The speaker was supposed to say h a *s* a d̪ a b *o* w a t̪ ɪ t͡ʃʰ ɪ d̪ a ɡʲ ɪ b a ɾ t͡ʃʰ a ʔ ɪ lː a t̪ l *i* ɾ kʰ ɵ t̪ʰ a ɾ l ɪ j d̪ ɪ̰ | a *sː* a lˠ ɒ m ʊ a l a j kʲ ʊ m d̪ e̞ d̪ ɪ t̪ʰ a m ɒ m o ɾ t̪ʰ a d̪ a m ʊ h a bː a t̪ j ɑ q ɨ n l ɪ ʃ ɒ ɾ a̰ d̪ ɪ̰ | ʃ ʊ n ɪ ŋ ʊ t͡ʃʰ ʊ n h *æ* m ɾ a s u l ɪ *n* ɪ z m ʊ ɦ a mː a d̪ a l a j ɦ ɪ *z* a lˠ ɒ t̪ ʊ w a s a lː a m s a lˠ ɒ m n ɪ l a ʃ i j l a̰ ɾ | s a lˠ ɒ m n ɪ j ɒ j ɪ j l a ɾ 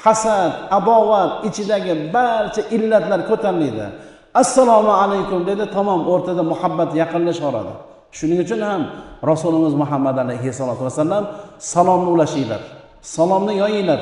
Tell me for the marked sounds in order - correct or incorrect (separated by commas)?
correct, incorrect, incorrect, correct, incorrect, incorrect, incorrect